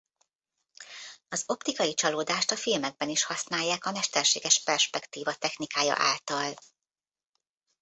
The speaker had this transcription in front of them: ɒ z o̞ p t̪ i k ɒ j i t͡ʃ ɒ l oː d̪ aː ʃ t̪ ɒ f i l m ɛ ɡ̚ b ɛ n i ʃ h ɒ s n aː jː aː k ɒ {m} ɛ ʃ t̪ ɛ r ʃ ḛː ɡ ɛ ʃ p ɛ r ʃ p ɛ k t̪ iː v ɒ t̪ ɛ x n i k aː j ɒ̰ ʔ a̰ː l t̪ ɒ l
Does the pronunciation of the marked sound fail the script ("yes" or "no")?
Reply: no